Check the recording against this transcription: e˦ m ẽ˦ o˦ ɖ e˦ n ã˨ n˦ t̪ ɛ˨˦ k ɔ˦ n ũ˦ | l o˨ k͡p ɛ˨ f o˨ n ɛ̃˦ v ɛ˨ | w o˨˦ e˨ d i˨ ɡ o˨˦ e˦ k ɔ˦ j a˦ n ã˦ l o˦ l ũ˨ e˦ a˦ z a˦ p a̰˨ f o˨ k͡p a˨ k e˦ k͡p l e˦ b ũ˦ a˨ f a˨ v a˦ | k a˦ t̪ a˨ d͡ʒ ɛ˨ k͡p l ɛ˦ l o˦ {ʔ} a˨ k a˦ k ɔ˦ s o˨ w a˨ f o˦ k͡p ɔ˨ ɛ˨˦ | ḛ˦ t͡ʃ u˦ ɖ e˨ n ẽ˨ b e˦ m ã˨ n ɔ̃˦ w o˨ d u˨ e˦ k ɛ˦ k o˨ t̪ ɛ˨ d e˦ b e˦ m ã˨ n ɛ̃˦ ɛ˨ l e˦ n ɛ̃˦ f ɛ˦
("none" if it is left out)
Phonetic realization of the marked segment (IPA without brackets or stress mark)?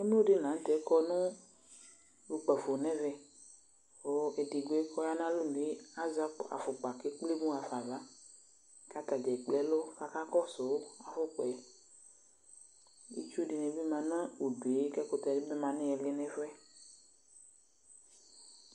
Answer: k